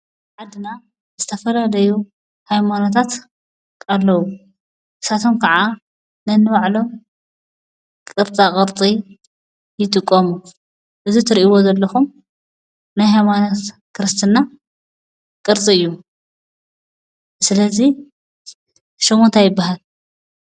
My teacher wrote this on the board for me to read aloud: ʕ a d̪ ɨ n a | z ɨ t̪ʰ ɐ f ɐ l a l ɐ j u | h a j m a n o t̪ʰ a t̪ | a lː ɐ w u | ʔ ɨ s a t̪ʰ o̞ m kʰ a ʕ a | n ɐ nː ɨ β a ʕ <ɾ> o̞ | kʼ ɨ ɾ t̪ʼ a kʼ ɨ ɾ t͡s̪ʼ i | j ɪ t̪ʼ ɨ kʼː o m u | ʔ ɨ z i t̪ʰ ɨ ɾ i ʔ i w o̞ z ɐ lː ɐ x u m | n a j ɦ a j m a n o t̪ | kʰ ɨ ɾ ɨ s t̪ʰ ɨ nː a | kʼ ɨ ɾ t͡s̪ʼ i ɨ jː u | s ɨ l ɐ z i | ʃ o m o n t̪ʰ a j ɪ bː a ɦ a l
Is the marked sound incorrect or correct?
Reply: incorrect